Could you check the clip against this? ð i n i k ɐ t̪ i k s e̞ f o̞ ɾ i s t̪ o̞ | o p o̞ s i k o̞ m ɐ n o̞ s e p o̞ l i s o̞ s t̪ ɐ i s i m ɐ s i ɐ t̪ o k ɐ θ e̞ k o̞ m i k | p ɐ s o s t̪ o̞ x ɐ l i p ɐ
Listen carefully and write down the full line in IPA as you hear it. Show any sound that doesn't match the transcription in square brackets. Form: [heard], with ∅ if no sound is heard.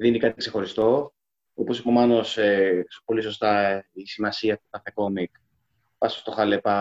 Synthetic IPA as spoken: ð i n i k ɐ t̪ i k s e̞ [x] o̞ ɾ i s t̪ o̞ | o p o̞ s i [p] o̞ m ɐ n o̞ s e p o̞ l i s o̞ s t̪ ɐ i s i m ɐ s i ɐ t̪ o k ɐ θ e̞ k o̞ m i k | p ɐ s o s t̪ o̞ x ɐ l [e] p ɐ